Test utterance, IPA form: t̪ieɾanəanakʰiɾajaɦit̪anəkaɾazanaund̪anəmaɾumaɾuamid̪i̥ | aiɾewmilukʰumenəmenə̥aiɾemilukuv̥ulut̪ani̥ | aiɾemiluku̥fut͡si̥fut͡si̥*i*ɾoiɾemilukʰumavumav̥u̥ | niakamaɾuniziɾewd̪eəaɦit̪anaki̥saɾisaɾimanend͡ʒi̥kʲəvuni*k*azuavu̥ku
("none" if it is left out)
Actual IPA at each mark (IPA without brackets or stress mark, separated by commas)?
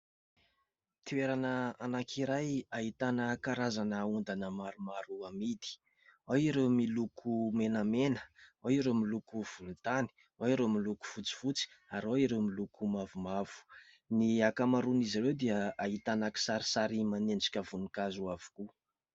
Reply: a, k